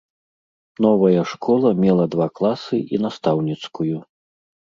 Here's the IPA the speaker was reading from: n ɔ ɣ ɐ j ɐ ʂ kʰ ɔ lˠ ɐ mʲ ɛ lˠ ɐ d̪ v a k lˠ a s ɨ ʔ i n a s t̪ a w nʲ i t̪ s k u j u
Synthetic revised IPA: n ɔ v ɐ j ɐ ʂ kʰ ɔ lˠ ɐ mʲ ɛ lˠ ɐ d̪ v a k lˠ a s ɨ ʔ i n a s t̪ a w nʲ i t̪ s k u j u